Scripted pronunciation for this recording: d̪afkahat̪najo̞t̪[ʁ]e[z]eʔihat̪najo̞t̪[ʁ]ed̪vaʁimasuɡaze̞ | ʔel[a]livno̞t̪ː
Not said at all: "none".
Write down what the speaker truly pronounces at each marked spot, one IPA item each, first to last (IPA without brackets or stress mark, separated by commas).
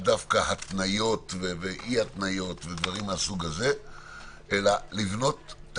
v, v, v, a